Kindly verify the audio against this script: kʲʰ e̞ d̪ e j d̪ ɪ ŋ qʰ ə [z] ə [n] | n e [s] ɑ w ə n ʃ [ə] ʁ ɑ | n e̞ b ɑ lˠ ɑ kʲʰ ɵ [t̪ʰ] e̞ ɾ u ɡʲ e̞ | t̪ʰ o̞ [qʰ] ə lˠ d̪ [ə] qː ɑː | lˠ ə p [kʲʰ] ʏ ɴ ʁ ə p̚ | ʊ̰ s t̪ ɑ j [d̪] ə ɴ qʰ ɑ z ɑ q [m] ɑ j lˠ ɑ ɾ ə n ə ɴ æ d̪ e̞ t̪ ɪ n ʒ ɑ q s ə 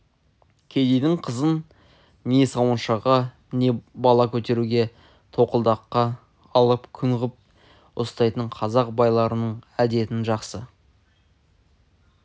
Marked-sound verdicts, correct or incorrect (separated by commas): correct, correct, correct, incorrect, incorrect, incorrect, incorrect, correct, incorrect, incorrect